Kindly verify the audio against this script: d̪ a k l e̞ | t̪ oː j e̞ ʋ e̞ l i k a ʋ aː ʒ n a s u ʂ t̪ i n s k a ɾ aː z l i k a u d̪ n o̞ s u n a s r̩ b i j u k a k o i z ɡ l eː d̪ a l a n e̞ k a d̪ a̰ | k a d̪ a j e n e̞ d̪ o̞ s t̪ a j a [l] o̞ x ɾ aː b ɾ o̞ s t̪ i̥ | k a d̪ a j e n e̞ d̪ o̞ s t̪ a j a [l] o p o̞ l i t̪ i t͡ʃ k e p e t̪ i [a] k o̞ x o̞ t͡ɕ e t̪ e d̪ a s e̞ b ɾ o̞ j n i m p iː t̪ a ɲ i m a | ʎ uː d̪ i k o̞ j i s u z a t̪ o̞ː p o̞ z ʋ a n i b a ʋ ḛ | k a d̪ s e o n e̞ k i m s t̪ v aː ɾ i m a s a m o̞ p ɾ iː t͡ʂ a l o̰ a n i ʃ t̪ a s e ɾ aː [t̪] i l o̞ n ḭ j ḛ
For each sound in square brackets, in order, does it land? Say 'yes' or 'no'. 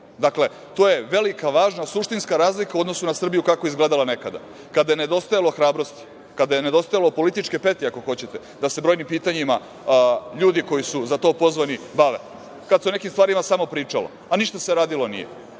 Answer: yes, yes, yes, no

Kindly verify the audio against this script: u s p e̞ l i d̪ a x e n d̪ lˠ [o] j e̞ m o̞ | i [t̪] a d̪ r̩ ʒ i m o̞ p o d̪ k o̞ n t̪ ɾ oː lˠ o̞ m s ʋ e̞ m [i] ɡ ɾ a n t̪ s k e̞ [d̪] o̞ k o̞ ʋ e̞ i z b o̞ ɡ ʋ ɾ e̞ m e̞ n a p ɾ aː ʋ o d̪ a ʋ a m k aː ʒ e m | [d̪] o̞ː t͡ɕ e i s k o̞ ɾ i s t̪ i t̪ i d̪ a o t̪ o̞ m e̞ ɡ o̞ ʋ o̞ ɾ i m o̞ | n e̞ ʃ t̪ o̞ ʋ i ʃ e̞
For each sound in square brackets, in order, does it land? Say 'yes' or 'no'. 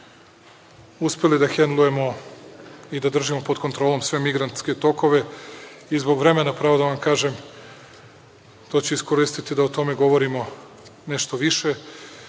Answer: no, no, yes, no, no

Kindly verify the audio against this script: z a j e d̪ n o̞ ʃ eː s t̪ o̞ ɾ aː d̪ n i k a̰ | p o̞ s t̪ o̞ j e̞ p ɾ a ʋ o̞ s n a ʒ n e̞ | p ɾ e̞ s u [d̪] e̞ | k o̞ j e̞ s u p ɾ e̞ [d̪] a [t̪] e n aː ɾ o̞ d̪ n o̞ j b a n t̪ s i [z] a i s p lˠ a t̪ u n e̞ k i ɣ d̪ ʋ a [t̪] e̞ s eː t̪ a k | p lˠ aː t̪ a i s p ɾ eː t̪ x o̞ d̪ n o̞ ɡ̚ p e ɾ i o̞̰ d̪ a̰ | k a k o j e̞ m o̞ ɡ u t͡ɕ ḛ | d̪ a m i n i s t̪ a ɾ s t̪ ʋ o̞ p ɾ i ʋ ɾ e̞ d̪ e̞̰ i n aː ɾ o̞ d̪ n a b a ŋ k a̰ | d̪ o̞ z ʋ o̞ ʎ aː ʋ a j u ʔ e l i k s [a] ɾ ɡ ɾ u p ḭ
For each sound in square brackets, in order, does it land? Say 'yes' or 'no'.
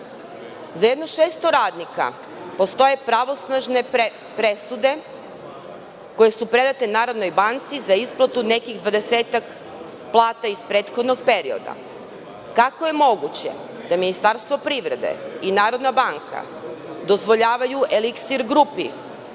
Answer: yes, yes, yes, yes, no, no

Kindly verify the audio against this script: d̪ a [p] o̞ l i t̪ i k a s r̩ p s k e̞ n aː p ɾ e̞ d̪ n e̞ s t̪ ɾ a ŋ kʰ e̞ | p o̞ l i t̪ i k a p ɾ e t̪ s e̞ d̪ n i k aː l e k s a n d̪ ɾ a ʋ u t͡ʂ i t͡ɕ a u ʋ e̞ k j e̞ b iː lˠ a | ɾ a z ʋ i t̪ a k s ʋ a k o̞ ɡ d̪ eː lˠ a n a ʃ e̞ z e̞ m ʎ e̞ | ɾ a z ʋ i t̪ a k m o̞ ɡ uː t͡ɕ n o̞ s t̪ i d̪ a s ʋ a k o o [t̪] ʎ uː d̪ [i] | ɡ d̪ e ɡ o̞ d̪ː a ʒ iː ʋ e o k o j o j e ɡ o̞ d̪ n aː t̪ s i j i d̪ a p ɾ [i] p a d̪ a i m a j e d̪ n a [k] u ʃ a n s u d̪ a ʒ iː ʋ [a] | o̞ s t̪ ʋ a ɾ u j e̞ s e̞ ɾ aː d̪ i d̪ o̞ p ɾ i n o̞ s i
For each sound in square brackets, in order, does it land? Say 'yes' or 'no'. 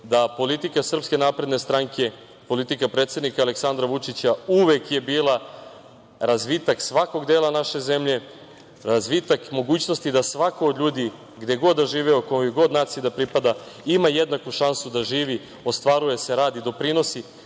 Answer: yes, no, yes, yes, yes, no

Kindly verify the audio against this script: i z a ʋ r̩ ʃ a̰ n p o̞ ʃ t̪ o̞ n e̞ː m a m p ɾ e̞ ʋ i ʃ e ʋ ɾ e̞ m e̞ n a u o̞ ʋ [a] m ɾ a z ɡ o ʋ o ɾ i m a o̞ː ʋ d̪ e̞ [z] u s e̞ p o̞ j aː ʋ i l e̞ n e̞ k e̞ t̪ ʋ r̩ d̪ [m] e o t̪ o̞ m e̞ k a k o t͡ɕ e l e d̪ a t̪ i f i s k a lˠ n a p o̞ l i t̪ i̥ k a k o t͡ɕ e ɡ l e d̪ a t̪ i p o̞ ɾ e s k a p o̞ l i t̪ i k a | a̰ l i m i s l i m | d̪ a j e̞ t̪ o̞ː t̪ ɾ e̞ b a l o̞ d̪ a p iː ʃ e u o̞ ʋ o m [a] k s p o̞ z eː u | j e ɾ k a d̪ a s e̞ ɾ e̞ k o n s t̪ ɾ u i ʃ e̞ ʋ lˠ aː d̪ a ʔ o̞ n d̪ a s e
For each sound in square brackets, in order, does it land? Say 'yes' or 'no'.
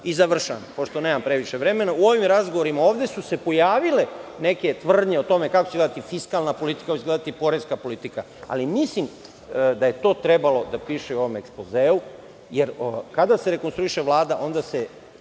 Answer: no, no, no, no

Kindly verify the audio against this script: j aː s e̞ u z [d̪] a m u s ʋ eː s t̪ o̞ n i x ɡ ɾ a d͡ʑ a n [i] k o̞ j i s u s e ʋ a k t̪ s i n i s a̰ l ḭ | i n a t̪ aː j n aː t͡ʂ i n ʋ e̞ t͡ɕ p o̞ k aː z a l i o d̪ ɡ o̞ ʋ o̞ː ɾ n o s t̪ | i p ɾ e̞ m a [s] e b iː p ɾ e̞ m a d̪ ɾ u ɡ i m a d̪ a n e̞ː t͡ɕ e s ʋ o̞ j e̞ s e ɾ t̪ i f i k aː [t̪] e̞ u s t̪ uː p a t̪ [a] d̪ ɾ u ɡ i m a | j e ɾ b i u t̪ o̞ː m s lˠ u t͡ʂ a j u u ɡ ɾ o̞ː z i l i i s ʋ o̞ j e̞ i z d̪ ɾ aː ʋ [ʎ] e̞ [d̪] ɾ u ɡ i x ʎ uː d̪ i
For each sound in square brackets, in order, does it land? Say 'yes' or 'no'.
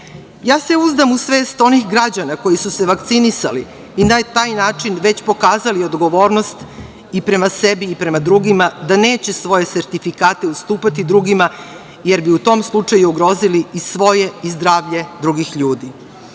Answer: yes, no, yes, yes, no, yes, yes

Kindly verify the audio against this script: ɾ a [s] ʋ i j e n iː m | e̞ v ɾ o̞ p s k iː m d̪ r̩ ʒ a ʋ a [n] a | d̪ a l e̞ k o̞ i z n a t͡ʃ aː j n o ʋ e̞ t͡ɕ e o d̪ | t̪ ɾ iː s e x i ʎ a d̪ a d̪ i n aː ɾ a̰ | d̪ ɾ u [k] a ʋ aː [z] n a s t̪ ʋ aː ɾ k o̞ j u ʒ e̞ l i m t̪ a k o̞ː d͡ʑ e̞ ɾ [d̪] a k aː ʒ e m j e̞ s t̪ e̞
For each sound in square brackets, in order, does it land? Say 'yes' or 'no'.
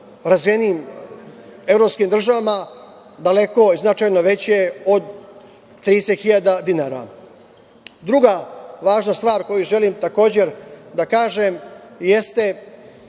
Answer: no, no, no, no, yes

